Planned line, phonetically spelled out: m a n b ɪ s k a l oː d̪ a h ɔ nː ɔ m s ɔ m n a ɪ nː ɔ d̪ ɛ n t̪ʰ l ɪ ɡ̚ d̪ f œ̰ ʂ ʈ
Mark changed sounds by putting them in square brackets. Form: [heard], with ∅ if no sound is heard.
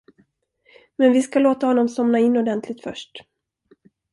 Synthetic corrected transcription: m [ɛ] n [v] ɪ s k a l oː [t̪] a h ɔ nː ɔ m s ɔ m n a ɪ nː ɔ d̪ ɛ n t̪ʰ l ɪ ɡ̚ [t̪] f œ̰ ʂ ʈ